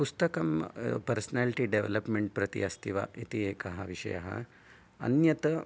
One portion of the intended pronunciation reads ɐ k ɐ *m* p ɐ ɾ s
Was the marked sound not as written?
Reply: no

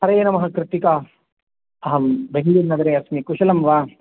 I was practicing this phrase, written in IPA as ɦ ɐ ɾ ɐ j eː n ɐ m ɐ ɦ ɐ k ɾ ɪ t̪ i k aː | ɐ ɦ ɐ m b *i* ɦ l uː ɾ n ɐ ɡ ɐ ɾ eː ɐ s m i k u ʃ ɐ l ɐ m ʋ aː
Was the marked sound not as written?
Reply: yes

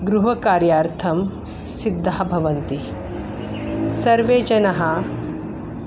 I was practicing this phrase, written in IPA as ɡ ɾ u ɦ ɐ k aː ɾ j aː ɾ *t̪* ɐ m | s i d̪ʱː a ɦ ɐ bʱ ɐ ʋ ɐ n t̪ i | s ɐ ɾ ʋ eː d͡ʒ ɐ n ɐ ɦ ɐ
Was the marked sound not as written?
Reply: yes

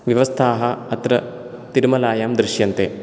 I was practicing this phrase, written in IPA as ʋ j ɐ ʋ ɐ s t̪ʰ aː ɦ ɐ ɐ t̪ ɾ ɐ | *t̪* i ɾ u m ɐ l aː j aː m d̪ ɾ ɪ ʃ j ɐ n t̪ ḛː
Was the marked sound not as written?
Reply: no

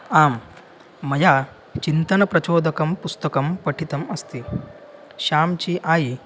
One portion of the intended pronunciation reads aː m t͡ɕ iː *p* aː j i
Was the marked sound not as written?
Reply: yes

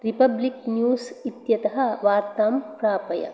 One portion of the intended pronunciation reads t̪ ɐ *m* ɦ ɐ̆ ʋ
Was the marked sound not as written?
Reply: yes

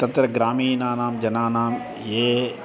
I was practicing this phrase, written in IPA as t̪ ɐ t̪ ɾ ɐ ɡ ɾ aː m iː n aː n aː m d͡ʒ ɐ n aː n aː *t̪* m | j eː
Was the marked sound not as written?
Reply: yes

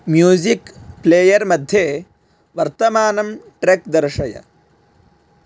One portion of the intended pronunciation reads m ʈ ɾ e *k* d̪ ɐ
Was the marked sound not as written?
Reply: no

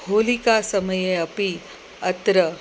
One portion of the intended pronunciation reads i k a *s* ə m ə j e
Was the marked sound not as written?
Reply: no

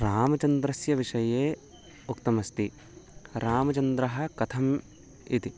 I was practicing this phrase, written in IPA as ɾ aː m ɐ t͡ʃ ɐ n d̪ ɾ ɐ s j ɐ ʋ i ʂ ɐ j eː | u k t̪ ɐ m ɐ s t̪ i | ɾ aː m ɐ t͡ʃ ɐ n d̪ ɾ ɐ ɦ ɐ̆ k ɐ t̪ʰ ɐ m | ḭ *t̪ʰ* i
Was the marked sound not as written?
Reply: yes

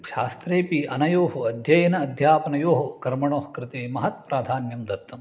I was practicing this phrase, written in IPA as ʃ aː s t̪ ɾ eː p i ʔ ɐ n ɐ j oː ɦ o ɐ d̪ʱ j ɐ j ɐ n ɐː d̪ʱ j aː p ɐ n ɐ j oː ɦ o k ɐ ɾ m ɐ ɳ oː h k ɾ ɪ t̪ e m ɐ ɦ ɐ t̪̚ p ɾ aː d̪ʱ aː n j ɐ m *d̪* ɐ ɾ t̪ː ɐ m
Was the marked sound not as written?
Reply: no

